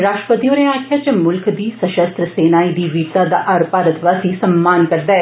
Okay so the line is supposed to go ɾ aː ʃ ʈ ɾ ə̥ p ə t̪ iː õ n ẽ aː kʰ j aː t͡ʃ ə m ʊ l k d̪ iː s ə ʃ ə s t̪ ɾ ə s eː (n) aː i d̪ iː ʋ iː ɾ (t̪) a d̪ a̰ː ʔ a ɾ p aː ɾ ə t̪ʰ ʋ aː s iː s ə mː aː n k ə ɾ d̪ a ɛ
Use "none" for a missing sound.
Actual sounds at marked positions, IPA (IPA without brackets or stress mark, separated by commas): n, t̪